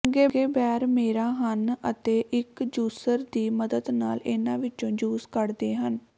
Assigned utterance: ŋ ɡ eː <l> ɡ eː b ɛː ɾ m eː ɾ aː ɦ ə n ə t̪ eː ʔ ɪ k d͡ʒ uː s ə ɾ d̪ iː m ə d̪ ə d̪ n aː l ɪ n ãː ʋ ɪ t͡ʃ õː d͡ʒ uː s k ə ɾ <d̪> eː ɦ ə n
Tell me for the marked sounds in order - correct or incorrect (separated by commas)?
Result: incorrect, correct